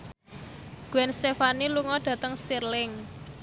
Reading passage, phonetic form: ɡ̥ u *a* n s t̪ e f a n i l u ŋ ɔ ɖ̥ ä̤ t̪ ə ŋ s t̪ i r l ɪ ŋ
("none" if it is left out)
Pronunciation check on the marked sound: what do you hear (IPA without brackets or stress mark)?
ɛ